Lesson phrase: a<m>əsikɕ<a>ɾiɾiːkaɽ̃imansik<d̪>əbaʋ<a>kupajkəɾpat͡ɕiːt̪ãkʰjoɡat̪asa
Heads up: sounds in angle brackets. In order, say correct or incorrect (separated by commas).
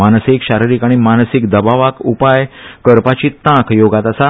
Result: incorrect, correct, correct, correct